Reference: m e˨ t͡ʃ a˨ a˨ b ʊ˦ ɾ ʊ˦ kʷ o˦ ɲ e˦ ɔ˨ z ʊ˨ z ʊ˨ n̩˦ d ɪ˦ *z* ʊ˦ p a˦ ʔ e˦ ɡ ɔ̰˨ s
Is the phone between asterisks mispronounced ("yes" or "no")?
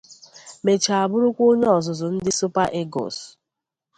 yes